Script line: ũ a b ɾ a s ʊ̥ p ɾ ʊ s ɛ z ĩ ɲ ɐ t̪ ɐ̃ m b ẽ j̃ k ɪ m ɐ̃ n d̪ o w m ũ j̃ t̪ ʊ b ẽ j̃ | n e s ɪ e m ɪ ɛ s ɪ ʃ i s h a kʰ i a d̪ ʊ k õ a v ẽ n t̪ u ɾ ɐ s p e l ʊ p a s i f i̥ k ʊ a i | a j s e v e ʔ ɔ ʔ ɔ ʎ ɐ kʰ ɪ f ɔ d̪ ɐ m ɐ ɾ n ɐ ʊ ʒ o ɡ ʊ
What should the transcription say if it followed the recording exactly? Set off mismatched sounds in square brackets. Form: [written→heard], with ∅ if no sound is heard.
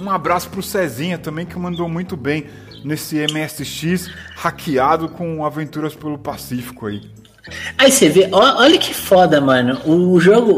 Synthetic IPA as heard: ũ a b ɾ a s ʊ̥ p ɾ ʊ s ɛ z ĩ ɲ ɐ t̪ ɐ̃ m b ẽ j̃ k ɪ m ɐ̃ n d̪ o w m ũ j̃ t̪ ʊ b ẽ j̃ | n e s ɪ e m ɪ ɛ s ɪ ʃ i s h a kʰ i a d̪ ʊ k õ a v ẽ n t̪ u ɾ ɐ s p e l ʊ p a s i f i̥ k ʊ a i | a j s e v e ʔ ɔ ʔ ɔ ʎ ɐ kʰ ɪ f ɔ d̪ ɐ m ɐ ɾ n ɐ ʊ ʒ o ɡ ʊ